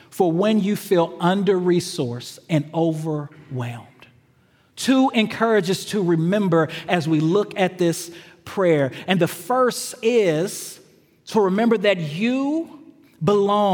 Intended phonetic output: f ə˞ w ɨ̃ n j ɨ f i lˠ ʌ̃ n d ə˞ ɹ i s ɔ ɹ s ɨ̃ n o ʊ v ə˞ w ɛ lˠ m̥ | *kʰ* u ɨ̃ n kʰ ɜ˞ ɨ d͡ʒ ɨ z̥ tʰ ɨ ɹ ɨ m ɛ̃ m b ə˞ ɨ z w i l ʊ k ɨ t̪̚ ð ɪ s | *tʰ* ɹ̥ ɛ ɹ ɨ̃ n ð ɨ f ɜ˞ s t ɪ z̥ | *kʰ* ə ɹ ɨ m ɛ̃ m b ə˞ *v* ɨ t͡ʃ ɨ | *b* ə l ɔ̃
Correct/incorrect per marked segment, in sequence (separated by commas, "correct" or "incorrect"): incorrect, incorrect, incorrect, incorrect, correct